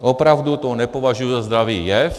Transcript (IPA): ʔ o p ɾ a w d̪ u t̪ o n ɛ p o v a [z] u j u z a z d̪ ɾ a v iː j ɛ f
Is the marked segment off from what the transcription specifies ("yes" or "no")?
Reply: yes